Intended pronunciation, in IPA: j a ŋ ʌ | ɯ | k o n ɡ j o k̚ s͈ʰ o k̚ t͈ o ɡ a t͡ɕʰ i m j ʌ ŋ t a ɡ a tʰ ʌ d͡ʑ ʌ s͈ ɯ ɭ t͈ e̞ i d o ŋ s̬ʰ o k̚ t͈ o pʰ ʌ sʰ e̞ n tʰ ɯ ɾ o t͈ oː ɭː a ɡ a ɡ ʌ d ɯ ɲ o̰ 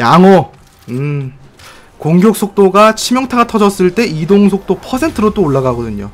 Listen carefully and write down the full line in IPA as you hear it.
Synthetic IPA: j a ŋ ʌ | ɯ | k o ŋ ɡ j o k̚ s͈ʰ o k̚ t͈ o ɡ a t͡ɕʰ i m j ʌ ŋ tʰ a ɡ a tʰ ʌ d͡ʑ ʌ s͈ ɯ ɭ t͈ e̞ i d o ŋ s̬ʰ o k̚ t͈ o pʰ ʌ sʰ e̞ n tʰ ɯ ɾ o t͈ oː ɭː a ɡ a ɡ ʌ d ɯ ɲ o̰